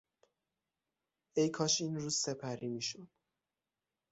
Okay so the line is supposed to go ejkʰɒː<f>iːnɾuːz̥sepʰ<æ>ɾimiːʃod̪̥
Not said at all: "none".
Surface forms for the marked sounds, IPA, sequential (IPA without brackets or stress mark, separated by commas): ʃ, æ